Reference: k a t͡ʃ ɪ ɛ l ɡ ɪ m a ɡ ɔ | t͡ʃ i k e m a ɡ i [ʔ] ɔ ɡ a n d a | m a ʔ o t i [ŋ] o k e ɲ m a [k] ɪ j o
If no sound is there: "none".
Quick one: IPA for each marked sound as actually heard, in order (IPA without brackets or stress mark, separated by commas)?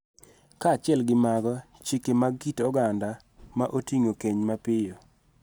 t, ŋ, p